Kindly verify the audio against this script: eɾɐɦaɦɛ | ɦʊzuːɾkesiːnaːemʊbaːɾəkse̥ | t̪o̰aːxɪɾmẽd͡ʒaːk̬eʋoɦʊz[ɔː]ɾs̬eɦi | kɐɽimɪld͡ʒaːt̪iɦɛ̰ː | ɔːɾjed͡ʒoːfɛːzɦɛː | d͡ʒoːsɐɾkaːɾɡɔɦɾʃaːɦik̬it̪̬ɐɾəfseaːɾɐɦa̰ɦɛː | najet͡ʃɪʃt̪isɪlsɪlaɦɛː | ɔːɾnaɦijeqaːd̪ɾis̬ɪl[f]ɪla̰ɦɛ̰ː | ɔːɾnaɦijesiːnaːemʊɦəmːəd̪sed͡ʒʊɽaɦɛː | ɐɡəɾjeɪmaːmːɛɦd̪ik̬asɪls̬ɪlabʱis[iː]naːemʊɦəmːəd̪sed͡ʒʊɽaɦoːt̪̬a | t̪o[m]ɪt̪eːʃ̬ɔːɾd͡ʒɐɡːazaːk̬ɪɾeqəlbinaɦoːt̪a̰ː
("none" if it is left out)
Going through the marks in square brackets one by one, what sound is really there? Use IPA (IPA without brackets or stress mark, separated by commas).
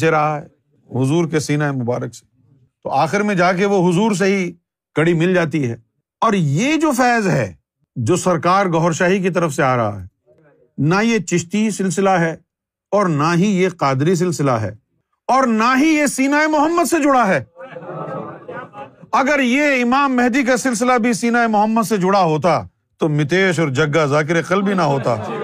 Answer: uː, s, iː, m